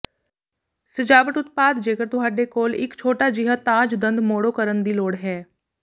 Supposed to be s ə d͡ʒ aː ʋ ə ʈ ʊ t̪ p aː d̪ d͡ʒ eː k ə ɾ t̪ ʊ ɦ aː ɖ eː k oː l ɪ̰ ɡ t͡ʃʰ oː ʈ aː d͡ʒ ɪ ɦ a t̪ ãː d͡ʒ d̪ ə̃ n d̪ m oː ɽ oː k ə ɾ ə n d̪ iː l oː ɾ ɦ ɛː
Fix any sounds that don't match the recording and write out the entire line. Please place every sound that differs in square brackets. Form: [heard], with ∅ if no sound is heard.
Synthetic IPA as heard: s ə d͡ʒ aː ʋ ə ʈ ʊ t̪ p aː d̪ d͡ʒ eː k ə ɾ t̪ ʊ ɦ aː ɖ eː k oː l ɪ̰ [k] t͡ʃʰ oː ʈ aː d͡ʒ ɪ ɦ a t̪ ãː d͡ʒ d̪ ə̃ n d̪ m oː ɽ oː k ə ɾ ə n d̪ iː l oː [ɽ] ɦ ɛː